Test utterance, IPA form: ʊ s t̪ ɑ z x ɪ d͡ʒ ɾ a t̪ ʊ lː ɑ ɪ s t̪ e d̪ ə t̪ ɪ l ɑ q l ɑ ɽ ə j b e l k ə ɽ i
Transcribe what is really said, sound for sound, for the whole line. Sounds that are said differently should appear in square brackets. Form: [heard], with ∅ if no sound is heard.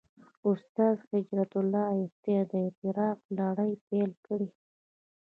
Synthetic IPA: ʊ s t̪ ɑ z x ɪ d͡ʒ ɾ a t̪ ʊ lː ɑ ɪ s t̪ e d̪ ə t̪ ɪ [ɾ] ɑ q l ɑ ɽ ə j [p] e l k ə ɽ i